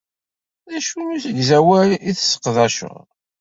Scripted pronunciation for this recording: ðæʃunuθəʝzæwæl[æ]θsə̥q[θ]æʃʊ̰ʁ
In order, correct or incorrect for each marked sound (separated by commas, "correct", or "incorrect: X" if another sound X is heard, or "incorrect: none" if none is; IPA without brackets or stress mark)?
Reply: incorrect: i, incorrect: ð